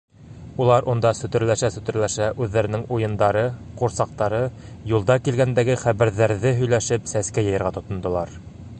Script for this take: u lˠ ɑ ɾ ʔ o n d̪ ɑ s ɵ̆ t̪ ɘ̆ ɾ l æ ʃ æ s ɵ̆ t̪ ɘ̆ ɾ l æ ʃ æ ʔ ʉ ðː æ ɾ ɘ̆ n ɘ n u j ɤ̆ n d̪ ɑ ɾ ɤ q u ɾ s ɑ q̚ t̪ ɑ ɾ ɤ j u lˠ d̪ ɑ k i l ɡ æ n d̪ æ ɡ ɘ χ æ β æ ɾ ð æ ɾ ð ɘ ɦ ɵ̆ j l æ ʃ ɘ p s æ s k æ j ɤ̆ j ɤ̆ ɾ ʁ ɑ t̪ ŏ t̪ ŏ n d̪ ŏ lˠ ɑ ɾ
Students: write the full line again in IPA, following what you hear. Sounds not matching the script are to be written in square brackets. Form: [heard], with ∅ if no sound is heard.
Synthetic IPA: u lˠ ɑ ɾ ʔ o n d̪ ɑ s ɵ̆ t̪ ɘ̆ ɾ l æ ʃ æ s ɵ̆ t̪ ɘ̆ ɾ l æ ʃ æ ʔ ʉ ðː æ ɾ ɘ̆ n ɘ [ŋ] u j ɤ̆ n d̪ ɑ ɾ ɤ q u ɾ s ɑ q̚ t̪ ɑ ɾ ɤ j u lˠ d̪ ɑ k i l ɡ æ n d̪ æ ɡ ɘ χ æ β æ ɾ ð æ ɾ ð ɘ ɦ ɵ̆ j l æ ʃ ɘ p s æ s k æ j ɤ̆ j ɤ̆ ɾ ʁ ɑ t̪ ŏ t̪ ŏ n d̪ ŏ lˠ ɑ ɾ